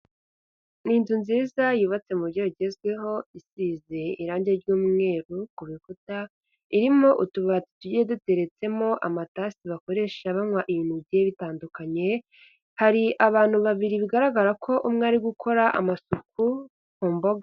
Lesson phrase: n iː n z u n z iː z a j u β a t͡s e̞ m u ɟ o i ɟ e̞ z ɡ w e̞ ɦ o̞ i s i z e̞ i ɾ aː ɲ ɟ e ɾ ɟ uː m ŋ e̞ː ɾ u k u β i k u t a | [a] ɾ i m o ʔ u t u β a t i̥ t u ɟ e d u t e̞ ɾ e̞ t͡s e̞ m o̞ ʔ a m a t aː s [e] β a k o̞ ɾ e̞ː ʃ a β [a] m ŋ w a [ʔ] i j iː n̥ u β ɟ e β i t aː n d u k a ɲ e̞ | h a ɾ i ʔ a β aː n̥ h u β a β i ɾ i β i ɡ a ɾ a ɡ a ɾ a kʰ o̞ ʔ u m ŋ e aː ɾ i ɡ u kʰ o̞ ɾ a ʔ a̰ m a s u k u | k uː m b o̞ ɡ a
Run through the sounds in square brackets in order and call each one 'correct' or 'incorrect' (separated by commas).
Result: incorrect, incorrect, correct, correct